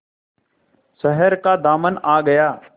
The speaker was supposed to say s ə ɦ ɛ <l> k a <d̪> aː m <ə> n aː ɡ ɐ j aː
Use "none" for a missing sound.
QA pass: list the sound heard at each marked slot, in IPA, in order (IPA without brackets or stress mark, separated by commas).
ɾ, d̪, ə